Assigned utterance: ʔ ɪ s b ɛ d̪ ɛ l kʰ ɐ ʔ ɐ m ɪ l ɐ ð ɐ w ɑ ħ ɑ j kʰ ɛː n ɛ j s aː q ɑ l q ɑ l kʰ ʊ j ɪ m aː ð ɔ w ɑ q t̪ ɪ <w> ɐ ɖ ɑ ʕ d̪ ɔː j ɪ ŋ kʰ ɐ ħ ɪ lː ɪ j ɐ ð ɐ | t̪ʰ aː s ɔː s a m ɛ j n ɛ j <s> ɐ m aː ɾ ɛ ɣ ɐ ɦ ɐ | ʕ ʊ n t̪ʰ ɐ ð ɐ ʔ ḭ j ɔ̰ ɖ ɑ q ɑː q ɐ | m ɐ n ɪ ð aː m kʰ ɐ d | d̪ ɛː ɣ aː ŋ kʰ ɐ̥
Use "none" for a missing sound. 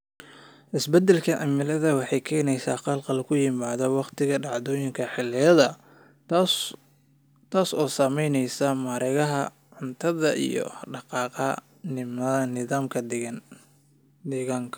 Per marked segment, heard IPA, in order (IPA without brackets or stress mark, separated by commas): ɣ, s